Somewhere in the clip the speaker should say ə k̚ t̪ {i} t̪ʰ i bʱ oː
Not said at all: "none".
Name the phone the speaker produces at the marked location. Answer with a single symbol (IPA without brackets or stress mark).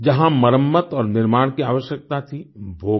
a